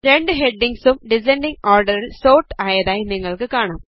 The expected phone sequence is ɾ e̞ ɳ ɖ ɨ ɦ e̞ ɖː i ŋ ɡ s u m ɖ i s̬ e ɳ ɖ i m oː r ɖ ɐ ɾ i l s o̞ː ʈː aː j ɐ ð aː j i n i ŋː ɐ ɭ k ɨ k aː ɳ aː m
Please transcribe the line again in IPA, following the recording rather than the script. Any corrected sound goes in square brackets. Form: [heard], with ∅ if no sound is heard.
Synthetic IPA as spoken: ɾ e̞ ɳ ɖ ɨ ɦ e̞ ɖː i ŋ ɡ s u m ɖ i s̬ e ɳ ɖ i [ŋ] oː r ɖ ɐ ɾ i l s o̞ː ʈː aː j ɐ ð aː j i n i ŋː ɐ ɭ k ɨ k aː ɳ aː m